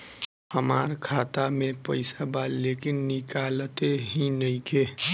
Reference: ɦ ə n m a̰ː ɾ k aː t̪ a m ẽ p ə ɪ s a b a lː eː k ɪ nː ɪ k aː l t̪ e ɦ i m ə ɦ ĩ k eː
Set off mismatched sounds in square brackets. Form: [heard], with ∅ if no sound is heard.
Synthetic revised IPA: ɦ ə [∅] m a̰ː ɾ [kʰ] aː t̪ a m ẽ p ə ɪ s a b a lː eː k ɪ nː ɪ k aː l t̪ e ɦ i [n] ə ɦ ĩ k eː